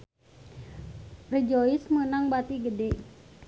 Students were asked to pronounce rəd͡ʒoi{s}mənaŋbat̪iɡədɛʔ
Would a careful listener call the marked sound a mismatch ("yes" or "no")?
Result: no